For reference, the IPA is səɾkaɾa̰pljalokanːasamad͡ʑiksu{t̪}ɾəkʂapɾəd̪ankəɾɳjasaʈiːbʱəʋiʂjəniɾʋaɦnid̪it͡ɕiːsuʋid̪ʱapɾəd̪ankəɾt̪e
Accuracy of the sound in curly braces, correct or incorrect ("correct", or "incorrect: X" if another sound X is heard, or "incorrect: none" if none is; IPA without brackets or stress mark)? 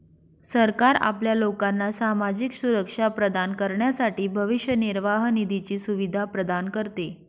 incorrect: none